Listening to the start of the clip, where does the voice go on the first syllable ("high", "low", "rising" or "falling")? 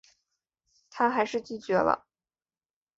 high